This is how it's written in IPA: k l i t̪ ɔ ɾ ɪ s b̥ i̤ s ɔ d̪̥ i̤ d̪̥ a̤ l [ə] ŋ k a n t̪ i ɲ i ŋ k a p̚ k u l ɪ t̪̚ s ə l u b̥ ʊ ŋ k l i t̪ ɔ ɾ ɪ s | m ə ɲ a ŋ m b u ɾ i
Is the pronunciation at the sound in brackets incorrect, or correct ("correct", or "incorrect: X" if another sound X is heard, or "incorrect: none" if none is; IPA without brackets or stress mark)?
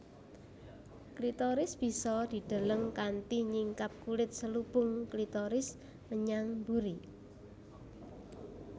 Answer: correct